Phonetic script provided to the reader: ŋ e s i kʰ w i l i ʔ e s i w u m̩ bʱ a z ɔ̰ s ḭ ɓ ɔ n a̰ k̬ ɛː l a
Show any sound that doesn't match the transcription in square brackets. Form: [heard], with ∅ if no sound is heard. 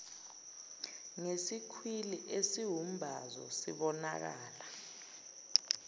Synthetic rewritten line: ŋ e s i kʰ w i l i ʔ e s i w u m̩ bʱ a z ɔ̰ s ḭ ɓ ɔ n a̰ k̬ [aː] l a